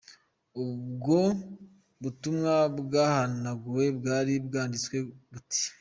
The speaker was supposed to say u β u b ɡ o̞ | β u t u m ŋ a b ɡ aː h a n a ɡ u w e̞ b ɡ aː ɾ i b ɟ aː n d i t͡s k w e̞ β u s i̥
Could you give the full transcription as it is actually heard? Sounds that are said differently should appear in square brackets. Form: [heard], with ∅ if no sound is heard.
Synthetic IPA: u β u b ɡ o̞ | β u t u m ŋ a b ɡ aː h a n a ɡ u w e̞ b ɡ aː ɾ i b [ɡ] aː n d i t͡s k w e̞ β u [t] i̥

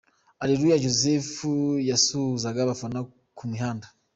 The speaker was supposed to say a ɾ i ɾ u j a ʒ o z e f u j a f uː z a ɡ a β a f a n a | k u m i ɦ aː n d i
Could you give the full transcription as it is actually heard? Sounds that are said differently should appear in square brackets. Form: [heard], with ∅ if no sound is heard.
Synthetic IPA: a ɾ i ɾ u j a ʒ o z e f u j a [s] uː z a ɡ a β a f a n a | k u m i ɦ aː n d [a]

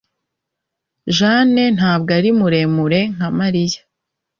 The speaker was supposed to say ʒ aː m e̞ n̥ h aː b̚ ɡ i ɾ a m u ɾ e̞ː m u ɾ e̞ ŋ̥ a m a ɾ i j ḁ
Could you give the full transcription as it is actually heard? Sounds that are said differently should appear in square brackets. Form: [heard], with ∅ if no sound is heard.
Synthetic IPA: ʒ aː [n] e̞ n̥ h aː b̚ ɡ [a] ɾ [i] m u ɾ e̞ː m u ɾ e̞ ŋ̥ a m a ɾ i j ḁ

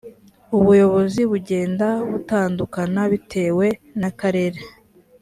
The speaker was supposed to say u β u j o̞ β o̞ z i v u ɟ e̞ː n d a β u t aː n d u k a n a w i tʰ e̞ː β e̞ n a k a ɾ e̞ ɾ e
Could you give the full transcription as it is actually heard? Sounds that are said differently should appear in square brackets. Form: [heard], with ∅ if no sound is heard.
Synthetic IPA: u β u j o̞ β o̞ z i [β] u ɟ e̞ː n d a β u t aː n d u k a n a [β] i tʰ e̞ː [w] e̞ n a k a ɾ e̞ ɾ e

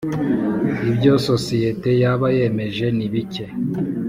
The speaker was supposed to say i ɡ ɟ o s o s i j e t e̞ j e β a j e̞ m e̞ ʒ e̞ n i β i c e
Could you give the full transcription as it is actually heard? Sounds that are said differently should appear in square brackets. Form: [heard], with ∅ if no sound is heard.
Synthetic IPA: i [b] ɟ o s o s i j e t e̞ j [a] β a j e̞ m e̞ ʒ e̞ n i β i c e

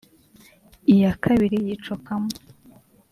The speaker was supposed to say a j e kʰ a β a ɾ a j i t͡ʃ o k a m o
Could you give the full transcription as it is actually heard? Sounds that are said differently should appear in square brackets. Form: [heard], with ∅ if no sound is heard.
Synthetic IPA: [i] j [a] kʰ a β [i] ɾ [i] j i t͡ʃ o k a m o

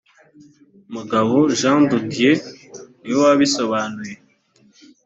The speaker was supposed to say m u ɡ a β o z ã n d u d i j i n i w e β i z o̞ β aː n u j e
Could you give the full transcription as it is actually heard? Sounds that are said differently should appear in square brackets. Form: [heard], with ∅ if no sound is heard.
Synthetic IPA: m u ɡ a β o [ʒ] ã n d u d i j [e] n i w [a] β i [s] o̞ β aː n u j e

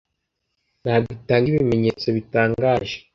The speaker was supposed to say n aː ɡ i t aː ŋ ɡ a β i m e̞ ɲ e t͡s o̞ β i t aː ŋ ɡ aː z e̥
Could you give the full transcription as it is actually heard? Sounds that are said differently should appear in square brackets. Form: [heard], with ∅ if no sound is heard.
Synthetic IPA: n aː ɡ i t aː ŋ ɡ [i] β i m e̞ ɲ e t͡s o̞ β i t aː ŋ ɡ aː [ʒ] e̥

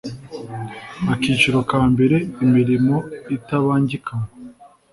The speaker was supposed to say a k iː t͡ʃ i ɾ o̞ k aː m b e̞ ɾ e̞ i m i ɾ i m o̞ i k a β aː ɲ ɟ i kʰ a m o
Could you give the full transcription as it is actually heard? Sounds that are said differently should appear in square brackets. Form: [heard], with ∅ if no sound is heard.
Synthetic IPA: a k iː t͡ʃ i ɾ o̞ k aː m b e̞ ɾ e̞ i m i ɾ i m o̞ i [t] a β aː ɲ ɟ i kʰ a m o

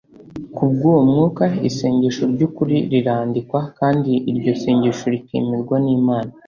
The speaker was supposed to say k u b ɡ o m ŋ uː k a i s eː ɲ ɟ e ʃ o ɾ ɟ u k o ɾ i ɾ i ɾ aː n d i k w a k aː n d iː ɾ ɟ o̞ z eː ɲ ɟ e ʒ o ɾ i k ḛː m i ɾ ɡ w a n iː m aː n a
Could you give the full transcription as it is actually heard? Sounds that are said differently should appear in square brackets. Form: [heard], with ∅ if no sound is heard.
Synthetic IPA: k u b ɡ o m ŋ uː k a i s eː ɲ ɟ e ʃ o ɾ ɟ u k [u] ɾ i ɾ i ɾ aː n d i k w a k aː n d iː ɾ ɟ o̞ [s] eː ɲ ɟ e [ʃ] o ɾ i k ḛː m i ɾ ɡ w a n iː m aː n a

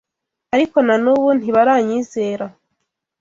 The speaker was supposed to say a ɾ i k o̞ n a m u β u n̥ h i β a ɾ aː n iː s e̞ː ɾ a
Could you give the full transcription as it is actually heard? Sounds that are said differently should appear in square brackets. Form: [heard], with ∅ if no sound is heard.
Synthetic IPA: a ɾ i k o̞ n a [n] u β u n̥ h i β a ɾ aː [ɲ] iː [z] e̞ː ɾ a

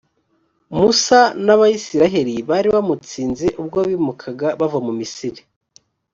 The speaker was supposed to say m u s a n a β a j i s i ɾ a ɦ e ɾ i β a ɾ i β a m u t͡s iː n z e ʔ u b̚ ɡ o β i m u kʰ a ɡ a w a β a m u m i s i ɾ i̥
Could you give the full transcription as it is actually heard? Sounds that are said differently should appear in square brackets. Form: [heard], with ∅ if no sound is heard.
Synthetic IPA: m u s a n a β a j i s i ɾ a ɦ e ɾ i β a ɾ i β a m u t͡s iː n z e ʔ u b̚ ɡ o β i m u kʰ a ɡ a [β] a [v] a m u m i s i ɾ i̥

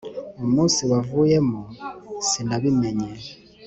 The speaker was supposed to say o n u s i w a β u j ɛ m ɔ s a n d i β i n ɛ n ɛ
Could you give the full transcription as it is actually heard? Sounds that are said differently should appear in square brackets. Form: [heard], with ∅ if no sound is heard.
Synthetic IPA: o [m] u s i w a [v] u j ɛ m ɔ s [i] n d [a] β i [m] ɛ [ɲ] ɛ

